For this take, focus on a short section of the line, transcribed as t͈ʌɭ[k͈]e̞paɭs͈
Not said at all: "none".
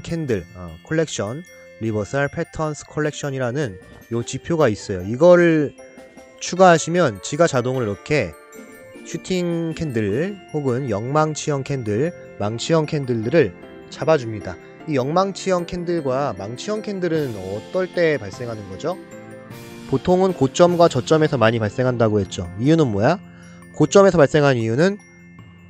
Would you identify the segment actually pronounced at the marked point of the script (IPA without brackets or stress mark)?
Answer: t͈